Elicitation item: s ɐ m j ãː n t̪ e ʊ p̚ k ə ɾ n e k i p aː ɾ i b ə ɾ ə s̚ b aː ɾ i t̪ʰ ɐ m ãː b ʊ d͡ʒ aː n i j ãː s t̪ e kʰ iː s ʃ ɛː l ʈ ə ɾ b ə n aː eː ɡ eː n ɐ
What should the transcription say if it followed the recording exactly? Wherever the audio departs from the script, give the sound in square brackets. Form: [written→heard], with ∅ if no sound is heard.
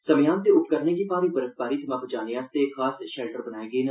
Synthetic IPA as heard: s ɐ m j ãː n t̪ e ʊ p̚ k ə ɾ n e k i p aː ɾ i b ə ɾ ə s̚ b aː ɾ i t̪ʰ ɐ m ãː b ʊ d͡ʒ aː n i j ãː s t̪ e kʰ [iː→aː] s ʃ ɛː l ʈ ə ɾ b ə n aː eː ɡ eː n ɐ